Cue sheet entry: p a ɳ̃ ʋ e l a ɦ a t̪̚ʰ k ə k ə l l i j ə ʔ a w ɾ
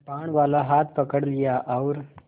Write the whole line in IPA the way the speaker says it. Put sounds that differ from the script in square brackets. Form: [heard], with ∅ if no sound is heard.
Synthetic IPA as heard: p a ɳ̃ ʋ [a] l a ɦ a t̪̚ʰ [p] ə k ə [ɽ] l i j [a] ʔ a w ɾ